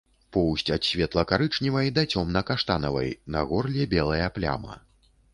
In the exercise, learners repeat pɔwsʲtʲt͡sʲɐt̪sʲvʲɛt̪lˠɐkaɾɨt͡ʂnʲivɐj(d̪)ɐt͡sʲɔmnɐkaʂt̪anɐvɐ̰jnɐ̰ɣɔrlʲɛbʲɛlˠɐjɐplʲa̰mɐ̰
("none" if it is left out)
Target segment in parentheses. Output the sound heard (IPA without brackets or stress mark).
d̪